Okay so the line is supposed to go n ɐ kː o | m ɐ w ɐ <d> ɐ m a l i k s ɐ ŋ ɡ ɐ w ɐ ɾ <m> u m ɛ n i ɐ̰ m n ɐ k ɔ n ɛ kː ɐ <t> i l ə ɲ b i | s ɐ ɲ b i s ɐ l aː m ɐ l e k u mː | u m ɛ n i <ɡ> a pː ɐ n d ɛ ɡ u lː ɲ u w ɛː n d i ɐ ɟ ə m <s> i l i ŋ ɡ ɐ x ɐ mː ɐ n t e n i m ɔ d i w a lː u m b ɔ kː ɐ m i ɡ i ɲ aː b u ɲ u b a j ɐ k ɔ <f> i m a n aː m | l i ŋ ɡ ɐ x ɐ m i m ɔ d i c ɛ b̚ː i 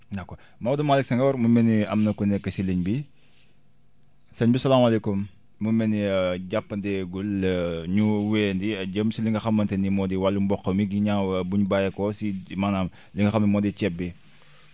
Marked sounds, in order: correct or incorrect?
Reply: correct, correct, incorrect, incorrect, correct, incorrect

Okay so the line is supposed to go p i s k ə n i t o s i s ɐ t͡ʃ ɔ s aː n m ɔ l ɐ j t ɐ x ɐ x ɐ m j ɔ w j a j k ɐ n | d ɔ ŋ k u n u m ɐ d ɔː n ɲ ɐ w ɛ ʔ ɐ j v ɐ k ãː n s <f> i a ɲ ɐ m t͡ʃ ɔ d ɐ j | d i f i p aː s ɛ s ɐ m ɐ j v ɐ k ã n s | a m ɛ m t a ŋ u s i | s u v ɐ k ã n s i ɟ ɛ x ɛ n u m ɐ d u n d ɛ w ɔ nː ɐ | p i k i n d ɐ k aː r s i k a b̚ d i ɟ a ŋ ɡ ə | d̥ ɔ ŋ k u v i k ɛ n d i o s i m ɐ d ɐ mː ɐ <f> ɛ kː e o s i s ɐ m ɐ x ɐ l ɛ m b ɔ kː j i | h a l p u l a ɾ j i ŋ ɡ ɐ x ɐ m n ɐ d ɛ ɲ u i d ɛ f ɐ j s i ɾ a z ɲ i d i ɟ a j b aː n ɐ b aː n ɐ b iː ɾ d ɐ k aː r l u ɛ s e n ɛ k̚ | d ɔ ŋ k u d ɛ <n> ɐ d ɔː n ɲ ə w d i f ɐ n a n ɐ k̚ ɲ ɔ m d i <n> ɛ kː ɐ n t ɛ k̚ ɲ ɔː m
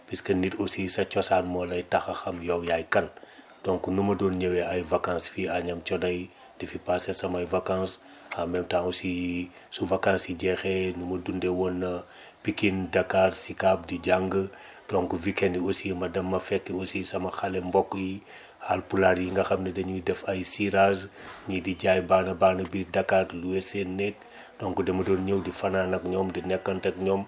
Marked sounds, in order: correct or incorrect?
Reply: correct, correct, incorrect, correct

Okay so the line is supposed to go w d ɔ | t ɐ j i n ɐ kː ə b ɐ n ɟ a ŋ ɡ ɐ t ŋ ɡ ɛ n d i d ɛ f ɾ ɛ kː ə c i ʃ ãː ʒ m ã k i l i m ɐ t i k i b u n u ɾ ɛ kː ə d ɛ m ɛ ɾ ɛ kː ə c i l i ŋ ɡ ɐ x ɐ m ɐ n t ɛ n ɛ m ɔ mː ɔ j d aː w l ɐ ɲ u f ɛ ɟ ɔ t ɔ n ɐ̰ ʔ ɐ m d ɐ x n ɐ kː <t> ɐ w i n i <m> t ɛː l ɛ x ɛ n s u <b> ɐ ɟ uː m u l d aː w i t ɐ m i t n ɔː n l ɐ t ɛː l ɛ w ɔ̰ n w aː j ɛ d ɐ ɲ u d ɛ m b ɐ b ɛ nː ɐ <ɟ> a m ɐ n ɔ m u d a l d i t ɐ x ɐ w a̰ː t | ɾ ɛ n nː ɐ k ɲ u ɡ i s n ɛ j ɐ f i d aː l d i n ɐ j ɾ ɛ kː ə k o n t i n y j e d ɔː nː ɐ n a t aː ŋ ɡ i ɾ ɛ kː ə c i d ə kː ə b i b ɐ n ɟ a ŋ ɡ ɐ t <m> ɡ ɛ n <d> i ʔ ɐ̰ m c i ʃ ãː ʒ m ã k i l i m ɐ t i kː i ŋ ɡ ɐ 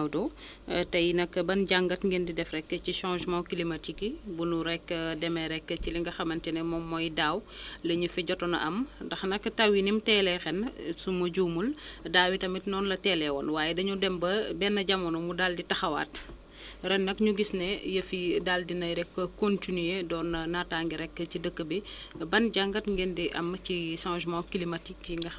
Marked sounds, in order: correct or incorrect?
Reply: correct, correct, incorrect, correct, incorrect, correct

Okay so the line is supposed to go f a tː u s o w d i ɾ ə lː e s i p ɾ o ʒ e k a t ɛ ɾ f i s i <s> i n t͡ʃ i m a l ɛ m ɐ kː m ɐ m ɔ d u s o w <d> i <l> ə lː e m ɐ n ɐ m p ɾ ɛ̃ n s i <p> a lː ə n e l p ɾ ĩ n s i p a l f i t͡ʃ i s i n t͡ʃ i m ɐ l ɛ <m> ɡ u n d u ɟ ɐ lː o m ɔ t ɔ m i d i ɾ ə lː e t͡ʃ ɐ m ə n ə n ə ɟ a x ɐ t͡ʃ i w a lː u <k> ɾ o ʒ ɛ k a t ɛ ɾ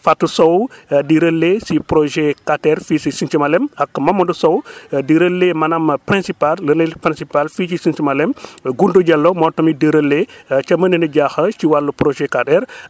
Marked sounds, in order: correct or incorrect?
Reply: correct, correct, incorrect, correct, correct, incorrect

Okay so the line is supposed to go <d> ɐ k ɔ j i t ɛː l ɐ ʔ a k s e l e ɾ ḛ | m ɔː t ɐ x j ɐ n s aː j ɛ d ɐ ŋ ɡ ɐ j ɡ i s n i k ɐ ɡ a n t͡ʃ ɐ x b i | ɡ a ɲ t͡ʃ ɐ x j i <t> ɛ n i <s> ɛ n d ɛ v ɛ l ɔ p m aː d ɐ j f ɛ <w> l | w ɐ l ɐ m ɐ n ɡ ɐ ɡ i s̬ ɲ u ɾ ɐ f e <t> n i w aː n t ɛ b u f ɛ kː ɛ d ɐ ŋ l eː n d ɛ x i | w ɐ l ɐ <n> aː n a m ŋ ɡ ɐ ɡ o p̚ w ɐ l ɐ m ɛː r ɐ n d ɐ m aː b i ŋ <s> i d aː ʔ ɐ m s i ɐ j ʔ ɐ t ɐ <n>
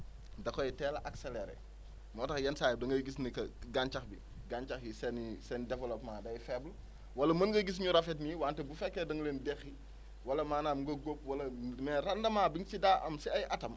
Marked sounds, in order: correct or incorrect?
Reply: correct, incorrect, correct, incorrect, correct, incorrect, correct, incorrect

